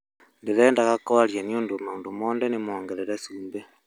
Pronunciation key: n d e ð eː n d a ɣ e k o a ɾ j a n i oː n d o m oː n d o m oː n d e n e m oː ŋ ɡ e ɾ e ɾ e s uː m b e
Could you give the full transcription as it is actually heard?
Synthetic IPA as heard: n d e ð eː n d a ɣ a k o a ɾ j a n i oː n d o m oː n d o m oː n d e n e m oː ŋ ɡ e ɾ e ɾ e s uː m b e